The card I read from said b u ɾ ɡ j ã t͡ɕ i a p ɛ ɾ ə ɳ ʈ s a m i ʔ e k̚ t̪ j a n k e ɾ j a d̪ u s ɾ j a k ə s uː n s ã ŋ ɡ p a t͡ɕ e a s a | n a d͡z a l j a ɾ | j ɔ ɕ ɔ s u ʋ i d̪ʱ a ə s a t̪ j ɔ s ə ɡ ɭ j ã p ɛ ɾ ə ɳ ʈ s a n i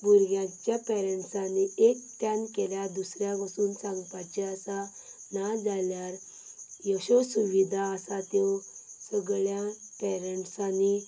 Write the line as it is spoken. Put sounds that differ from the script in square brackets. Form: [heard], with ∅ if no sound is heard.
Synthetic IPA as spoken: b u ɾ ɡ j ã t͡ɕ [j] a p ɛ ɾ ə ɳ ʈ s a [n] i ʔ e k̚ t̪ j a n k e [l] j a d̪ u s ɾ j a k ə s uː n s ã ŋ ɡ p a t͡ɕ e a s a | n a d͡z a l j a ɾ | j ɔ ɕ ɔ s u ʋ i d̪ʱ a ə s a t̪ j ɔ s ə ɡ ɭ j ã p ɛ ɾ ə ɳ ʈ s a n i